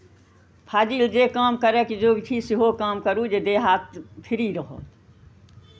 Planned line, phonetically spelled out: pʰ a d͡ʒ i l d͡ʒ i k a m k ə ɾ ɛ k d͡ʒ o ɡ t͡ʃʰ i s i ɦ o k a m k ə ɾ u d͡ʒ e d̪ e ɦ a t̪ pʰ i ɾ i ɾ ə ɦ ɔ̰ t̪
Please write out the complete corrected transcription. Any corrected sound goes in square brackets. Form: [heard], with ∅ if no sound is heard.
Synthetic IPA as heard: pʰ a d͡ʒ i l d͡ʒ [e] k a m k ə ɾ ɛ k d͡ʒ o ɡ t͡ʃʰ i s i ɦ o k a m k ə ɾ u d͡ʒ e d̪ e ɦ a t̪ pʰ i ɾ i ɾ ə ɦ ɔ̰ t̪